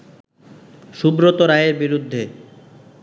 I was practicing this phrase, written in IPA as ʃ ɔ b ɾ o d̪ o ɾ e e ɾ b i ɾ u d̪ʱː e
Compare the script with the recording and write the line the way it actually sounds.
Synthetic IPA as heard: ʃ u b ɾ o t̪ o ɾ a e ɾ b i ɾ u d̪ʱː e